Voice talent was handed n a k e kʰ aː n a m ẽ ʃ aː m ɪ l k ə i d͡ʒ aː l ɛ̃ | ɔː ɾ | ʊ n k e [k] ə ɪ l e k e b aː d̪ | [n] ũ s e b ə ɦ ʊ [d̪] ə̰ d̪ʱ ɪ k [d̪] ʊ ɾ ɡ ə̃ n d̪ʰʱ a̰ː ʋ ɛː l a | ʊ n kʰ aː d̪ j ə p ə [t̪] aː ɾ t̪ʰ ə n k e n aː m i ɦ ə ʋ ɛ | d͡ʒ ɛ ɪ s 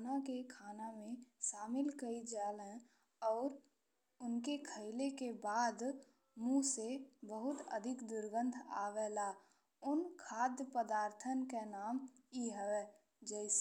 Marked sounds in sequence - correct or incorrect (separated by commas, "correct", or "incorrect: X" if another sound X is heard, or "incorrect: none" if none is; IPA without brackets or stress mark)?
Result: incorrect: kʰ, incorrect: m, incorrect: t̪, correct, incorrect: d̪